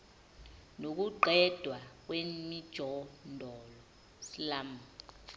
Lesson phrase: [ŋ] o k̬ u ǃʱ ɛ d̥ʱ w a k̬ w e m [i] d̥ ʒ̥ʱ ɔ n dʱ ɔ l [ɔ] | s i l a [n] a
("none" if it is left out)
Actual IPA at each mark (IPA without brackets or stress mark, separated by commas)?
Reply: n, i, ɔ, m